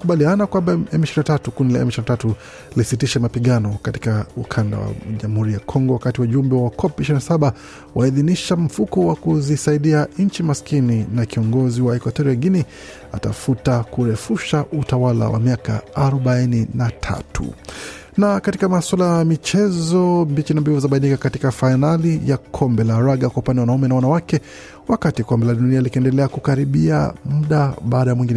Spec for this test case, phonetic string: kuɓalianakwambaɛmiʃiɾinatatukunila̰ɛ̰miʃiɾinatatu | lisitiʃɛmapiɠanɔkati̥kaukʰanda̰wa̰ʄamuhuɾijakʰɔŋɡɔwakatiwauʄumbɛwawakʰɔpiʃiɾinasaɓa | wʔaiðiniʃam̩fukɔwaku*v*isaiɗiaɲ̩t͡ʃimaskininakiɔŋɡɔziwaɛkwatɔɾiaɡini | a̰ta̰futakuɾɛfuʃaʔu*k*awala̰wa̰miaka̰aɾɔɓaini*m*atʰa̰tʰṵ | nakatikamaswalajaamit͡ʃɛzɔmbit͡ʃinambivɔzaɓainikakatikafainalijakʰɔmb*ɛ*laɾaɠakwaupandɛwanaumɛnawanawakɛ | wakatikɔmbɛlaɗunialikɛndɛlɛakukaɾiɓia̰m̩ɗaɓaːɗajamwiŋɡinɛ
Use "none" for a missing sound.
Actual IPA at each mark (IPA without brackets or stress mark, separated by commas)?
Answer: z, t, n, ɛ